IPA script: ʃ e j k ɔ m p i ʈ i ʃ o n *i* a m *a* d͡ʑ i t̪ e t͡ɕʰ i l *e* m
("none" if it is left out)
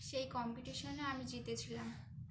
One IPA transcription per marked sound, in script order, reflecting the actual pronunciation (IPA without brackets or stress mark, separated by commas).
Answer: e, i, a